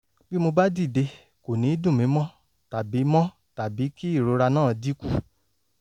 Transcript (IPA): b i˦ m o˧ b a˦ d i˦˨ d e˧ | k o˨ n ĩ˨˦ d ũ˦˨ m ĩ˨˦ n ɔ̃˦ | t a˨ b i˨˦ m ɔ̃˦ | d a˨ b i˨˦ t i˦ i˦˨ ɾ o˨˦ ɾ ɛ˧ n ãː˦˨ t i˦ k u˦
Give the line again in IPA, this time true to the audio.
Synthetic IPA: b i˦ m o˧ b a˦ d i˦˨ d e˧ | k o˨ n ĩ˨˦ d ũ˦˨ m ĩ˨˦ m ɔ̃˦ | t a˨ b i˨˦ m ɔ̃˦ | t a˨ b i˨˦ k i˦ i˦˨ ɾ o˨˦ ɾ a˧ n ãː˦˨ d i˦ k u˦